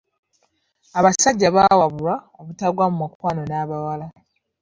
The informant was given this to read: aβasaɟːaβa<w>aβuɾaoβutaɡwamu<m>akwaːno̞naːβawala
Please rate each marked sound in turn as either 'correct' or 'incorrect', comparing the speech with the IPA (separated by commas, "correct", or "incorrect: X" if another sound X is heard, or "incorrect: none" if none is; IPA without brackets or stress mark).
correct, correct